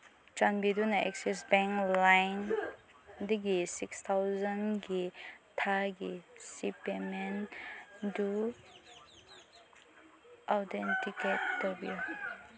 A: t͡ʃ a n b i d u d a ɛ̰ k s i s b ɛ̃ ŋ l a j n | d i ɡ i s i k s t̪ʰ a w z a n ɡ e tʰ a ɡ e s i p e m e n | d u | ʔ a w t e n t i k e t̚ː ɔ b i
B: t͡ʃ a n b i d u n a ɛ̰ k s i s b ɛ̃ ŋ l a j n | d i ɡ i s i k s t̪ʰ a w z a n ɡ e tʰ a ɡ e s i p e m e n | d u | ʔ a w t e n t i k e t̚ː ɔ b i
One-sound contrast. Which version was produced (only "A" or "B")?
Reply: B